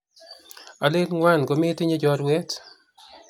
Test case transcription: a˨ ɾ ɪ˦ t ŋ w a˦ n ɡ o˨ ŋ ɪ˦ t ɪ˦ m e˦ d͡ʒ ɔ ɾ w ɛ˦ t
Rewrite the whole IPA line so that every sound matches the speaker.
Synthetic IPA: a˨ l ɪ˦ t ŋ w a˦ n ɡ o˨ m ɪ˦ t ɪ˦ ɲ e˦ d͡ʒ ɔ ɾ w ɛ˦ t